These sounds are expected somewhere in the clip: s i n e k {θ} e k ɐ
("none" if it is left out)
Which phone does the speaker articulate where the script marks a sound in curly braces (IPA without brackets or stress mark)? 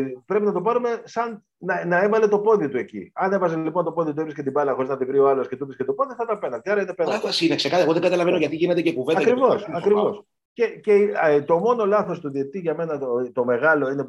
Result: s